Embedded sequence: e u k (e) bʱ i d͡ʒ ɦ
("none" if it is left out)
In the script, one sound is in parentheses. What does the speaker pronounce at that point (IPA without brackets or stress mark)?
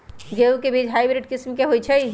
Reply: e